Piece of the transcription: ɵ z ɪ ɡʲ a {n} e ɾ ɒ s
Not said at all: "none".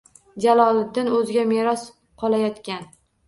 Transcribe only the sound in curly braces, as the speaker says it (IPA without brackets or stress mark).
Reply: m